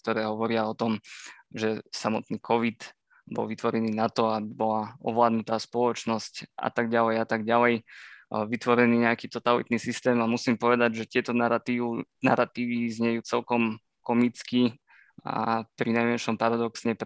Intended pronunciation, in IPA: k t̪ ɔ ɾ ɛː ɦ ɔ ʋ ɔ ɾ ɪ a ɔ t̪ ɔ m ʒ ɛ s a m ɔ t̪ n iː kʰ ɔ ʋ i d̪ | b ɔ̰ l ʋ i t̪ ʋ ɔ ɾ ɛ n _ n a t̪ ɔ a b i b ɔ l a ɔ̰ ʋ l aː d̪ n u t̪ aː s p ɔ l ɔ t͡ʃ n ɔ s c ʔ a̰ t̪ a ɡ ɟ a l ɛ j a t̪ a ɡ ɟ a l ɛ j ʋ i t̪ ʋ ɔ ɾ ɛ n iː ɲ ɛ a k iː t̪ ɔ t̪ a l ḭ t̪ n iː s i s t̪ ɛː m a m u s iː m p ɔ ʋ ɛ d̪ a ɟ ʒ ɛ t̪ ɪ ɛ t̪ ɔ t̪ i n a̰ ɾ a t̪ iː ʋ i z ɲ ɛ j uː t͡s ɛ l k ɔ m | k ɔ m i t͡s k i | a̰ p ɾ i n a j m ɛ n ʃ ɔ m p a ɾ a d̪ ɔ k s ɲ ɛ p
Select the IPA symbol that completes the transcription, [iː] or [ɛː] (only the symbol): iː